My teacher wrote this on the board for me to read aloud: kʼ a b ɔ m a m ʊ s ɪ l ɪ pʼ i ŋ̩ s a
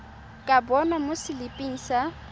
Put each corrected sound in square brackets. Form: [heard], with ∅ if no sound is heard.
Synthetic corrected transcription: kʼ a b ɔ [n] a m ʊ s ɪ l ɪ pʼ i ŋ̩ s a